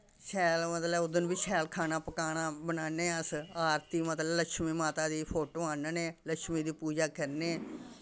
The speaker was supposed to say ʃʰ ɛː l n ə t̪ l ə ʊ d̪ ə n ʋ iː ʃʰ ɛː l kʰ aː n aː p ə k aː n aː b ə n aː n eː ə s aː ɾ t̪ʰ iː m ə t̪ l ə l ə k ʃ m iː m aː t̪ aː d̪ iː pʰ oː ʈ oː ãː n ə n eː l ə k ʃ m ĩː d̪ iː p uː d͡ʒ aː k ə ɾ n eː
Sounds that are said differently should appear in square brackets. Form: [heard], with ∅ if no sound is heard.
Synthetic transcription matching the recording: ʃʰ ɛː l [m] ə t̪ l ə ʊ d̪ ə n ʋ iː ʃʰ ɛː l kʰ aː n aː p ə k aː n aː b ə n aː n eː ə s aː ɾ [t̪] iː m ə t̪ l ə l ə k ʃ m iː m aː t̪ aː d̪ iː pʰ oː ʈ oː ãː n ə n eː l ə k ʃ m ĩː d̪ iː p uː d͡ʒ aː k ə ɾ n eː